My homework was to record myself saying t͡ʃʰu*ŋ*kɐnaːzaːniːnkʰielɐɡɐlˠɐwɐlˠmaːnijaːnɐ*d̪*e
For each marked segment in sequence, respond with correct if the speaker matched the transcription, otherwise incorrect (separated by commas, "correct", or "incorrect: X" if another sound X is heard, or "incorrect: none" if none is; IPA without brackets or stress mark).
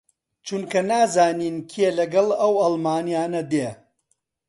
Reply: incorrect: n, correct